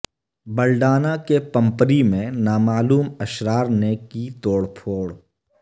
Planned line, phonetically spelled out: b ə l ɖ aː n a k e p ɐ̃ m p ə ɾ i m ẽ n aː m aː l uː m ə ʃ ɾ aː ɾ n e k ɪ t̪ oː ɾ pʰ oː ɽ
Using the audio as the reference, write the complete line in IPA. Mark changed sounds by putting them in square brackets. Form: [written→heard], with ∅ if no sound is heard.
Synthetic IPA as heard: b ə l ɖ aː n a k e p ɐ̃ m p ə ɾ i m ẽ n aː m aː l uː m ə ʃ ɾ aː ɾ n e k [ɪ→i] t̪ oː [ɾ→ɽ] pʰ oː ɽ